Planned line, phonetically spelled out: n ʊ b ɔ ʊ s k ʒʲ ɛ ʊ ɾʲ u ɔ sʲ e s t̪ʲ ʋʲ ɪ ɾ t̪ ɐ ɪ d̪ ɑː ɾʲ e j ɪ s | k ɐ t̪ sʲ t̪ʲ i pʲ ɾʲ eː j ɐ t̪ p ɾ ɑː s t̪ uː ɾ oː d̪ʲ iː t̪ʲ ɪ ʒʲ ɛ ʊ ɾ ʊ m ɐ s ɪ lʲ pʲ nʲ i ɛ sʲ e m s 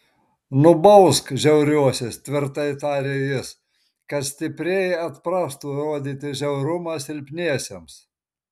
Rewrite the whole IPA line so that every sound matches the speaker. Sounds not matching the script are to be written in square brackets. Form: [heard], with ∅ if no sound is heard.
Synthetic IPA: n ʊ b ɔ ʊ s k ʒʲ ɛ ʊ ɾʲ u ɔ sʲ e s t̪ʲ ʋʲ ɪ ɾ t̪ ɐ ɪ [t̪] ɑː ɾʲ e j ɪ s | k ɐ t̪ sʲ t̪ʲ [ɪ] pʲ ɾʲ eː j ɐ t̪ p ɾ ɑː s t̪ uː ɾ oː d̪ʲ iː t̪ʲ ɪ ʒʲ ɛ ʊ ɾ ʊ m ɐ s ɪ lʲ pʲ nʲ i ɛ sʲ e m s